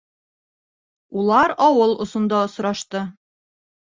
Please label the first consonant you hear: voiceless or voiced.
voiced